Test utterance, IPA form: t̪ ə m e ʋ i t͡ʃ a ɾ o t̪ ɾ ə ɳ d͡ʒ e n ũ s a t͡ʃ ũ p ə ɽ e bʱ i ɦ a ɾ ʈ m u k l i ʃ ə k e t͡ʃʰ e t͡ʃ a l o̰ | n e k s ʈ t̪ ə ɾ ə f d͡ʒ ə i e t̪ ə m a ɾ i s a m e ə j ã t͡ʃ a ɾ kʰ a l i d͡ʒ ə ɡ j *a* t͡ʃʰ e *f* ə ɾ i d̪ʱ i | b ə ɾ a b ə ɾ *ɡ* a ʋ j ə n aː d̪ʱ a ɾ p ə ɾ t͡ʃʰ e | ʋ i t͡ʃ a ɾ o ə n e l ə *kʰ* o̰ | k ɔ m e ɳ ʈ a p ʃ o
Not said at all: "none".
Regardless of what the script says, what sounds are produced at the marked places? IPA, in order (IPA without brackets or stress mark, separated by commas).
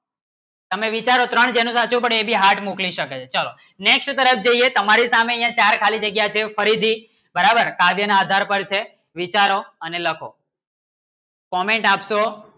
a, f, k, kʰ